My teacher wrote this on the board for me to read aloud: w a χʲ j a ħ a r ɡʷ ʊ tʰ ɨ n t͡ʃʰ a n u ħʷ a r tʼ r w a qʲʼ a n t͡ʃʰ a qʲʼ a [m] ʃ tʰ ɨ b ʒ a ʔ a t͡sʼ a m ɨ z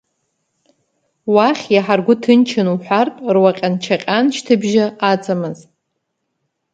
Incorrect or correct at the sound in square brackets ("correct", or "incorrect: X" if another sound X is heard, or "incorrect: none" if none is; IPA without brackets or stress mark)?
incorrect: n